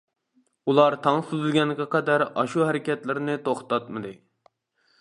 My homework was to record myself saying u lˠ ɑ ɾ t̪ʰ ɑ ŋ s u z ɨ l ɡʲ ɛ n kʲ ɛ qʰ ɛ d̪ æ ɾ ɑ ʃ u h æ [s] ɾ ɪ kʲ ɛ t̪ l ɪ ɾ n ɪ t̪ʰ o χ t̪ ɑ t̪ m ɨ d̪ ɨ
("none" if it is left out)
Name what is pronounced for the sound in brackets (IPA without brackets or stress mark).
none